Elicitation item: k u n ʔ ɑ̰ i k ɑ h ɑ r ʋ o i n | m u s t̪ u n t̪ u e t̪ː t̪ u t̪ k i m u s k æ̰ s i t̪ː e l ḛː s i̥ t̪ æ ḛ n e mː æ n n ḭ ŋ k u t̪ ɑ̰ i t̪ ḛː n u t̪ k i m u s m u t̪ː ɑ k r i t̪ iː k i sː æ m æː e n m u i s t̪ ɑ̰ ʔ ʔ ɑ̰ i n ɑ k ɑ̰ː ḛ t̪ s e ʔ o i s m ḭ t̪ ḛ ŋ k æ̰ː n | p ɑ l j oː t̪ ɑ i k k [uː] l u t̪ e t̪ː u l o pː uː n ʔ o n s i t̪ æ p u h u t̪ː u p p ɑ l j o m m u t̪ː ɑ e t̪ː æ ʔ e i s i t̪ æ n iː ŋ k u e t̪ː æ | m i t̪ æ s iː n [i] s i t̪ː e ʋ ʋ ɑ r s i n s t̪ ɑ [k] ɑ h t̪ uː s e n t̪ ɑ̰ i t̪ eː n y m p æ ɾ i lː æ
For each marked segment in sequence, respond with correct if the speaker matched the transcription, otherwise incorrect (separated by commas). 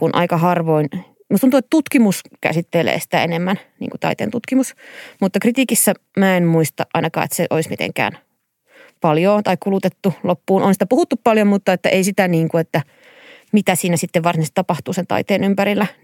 incorrect, incorrect, incorrect